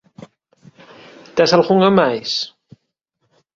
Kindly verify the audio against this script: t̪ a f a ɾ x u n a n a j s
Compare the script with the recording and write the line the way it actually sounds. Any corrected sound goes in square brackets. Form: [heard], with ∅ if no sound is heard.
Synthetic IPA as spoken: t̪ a [s] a [l] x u [ŋ] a [m] a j s